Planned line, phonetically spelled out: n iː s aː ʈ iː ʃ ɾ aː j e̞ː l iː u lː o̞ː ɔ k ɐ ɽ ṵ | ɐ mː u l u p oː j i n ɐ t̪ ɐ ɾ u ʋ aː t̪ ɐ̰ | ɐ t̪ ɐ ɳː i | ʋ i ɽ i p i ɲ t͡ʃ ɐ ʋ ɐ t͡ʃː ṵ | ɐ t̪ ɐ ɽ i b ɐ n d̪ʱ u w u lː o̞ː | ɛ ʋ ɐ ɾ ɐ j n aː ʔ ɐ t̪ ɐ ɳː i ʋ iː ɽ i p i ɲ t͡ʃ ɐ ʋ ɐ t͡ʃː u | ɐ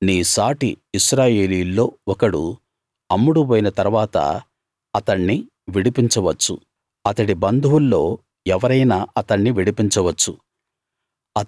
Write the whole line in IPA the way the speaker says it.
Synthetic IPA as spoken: n iː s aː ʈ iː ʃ ɾ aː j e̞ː l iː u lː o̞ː ɔ k ɐ ɽ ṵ | ɐ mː u ɽ u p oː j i n ɐ t̪ ɐ ɾ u ʋ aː t̪ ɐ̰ | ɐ t̪ ɐ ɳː i | ʋ i ɽ i p i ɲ t͡ʃ ɐ ʋ ɐ t͡ʃː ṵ | ɐ t̪ ɐ ɽ i b ɐ n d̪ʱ u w u lː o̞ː | ɛ ʋ ɐ ɾ ɐ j n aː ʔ ɐ t̪ ɐ ɳː i ʋ i ɽ i p i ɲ t͡ʃ ɐ ʋ ɐ t͡ʃː u | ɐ

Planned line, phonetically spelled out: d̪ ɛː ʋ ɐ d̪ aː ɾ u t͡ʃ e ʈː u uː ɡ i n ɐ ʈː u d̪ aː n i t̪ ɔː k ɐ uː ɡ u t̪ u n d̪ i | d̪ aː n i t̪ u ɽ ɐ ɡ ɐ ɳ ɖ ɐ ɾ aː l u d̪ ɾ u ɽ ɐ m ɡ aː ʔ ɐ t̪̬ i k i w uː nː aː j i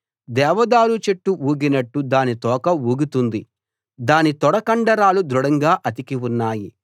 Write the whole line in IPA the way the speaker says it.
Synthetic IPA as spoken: d̪ ɛː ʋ ɐ d̪ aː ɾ u t͡ʃ e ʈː u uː ɡ i n ɐ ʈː u d̪ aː n i t̪ ɔː k ɐ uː ɡ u t̪ u n d̪ i | d̪ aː n i t̪ ɔ ɽ ɐ k ɐ ɳ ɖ ɐ ɾ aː l u d̪ ɾ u ɽ ɐ ŋ ɡ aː ʔ ɐ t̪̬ i k i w u nː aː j i

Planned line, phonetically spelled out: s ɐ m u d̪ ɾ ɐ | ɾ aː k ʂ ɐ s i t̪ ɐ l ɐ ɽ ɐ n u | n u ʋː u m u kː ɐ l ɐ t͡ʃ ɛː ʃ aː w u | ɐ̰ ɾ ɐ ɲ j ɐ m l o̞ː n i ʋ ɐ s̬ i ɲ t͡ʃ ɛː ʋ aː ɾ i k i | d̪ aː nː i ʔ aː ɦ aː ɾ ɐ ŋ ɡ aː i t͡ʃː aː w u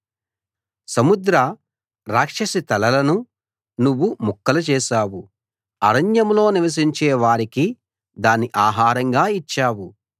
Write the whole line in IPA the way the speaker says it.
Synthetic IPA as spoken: s ɐ m u d̪ ɾ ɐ | ɾ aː k ʂ ɐ s i t̪ ɐ l ɐ l ɐ n u | n u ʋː u m u kː ɐ l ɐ t͡ʃ ɛː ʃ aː w u | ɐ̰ ɾ ɐ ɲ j ɐ m l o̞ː n i ʋ ɐ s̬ i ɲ t͡ʃ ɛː ʋ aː ɾ i k i | d̪ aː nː i ʔ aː ɦ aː ɾ ɐ ŋ ɡ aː i t͡ʃː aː w u

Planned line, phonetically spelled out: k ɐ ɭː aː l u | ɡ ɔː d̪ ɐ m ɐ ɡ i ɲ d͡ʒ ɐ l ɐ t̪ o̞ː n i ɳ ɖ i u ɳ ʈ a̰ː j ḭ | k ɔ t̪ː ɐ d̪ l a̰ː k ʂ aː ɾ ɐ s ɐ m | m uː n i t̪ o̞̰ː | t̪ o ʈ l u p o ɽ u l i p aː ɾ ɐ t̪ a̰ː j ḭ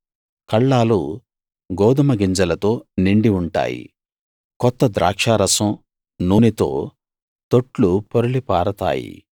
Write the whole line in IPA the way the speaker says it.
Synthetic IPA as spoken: k ɐ ɭː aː l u | ɡ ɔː d̪ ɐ m ɐ ɡ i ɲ d͡ʒ ɐ l ɐ t̪ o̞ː n i ɳ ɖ i u ɳ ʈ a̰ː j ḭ | k ɔ t̪ː ɐ d̪ ɾ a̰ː k ʂ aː ɾ ɐ s ɐ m | n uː n i t̪ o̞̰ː | t̪ o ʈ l u p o ɾ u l i p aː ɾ ɐ t̪ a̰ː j ḭ

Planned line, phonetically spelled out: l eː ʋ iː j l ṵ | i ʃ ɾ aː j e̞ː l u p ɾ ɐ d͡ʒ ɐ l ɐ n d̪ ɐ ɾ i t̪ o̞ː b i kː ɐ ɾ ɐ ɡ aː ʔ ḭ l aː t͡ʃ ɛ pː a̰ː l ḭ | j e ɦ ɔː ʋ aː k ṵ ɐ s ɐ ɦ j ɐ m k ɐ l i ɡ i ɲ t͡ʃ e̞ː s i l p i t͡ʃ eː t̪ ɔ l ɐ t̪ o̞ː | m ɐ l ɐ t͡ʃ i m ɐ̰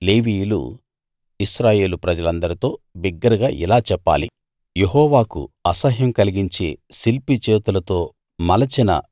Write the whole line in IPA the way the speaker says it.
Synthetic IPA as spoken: l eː ʋ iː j l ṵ | i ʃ ɾ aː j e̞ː l u p ɾ ɐ d͡ʒ ɐ l ɐ n d̪ ɐ ɾ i t̪ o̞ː b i ɡː ɐ ɾ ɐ ɡ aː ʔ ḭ l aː t͡ʃ ɛ pː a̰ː l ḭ | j e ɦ ɔː ʋ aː k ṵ ɐ s ɐ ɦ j ɐ m k ɐ l i ɡ i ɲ t͡ʃ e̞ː s i l p i t͡ʃ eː t̪ u l ɐ t̪ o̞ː | m ɐ l ɐ t͡ʃ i n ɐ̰

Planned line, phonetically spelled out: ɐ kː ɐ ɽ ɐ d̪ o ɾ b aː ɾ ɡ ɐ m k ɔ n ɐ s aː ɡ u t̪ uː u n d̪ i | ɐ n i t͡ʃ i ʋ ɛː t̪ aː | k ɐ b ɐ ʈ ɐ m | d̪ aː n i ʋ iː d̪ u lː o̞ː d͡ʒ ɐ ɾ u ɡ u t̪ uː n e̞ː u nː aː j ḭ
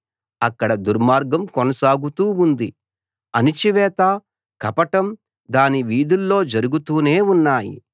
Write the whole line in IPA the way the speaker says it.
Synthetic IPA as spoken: ɐ kː ɐ ɽ ɐ d̪ u ɾ m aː ɾ ɡ ɐ m k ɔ n ɐ s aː ɡ u t̪ uː u n d̪ i | ɐ n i t͡ʃ i ʋ ɛː t̪ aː | k ɐ p ɐ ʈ ɐ m | d̪ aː n i ʋ iː d̪ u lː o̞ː d͡ʒ ɐ ɾ u ɡ u t̪ uː n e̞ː u nː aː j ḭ

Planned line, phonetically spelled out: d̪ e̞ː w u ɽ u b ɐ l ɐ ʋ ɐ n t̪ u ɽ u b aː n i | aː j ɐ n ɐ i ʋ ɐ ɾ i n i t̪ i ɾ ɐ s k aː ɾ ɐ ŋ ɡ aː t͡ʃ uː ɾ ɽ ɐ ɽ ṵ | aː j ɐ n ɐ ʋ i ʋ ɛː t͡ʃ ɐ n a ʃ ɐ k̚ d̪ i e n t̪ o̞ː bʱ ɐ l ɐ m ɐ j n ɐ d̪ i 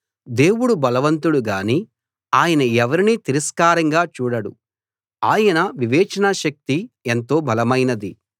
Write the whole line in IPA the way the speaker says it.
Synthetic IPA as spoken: d̪ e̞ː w u ɽ u b ɐ l ɐ ʋ ɐ n t̪ u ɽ u ɡ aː n i | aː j ɐ n ɐ ɛ ʋ ɐ ɾ i n i t̪ i ɾ ɐ s k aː ɾ ɐ ŋ ɡ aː t͡ʃ uː ɽ ɐ ɽ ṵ | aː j ɐ n ɐ ʋ i ʋ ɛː t͡ʃ ɐ n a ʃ ɐ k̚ t̪ i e n t̪ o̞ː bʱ ɐ l ɐ m ɐ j n ɐ d̪ i

